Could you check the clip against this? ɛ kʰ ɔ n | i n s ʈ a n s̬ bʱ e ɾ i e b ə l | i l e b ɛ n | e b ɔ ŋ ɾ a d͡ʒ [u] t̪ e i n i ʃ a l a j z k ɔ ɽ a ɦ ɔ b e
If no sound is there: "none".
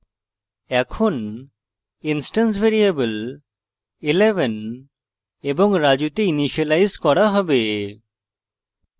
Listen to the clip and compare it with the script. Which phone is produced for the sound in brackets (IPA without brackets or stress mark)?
u